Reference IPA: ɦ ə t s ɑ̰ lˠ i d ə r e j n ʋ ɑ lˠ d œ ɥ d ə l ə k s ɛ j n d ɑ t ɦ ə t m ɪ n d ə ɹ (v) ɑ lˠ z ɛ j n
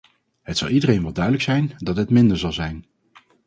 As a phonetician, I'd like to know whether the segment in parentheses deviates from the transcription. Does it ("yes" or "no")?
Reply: yes